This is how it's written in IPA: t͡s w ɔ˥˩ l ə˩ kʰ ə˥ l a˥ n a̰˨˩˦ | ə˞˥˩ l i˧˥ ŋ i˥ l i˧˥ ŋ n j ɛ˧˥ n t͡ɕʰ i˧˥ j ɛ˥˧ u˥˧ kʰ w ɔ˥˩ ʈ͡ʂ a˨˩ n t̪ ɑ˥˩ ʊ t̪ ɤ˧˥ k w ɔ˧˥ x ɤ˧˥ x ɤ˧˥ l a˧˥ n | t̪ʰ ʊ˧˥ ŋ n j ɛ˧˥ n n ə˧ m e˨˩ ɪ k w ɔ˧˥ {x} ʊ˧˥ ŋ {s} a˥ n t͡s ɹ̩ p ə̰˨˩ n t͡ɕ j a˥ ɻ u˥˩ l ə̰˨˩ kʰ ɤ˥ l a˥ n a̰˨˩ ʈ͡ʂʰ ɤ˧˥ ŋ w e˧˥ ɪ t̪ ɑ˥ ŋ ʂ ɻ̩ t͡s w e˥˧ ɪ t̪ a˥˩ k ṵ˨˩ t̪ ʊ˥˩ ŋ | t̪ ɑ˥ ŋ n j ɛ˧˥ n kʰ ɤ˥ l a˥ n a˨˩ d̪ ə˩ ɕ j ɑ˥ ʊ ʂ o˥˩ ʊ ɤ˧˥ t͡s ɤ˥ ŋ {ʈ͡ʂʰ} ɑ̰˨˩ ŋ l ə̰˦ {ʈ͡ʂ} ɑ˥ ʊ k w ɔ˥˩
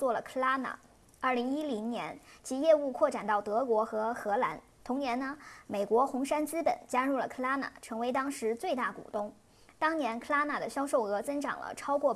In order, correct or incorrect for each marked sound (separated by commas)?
correct, incorrect, incorrect, incorrect